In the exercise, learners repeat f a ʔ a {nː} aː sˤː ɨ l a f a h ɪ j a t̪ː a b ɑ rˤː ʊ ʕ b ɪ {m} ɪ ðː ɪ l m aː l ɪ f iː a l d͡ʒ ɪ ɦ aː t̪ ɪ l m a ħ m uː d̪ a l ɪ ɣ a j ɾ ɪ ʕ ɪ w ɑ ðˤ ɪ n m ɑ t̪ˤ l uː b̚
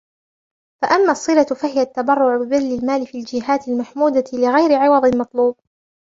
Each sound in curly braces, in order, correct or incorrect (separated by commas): incorrect, incorrect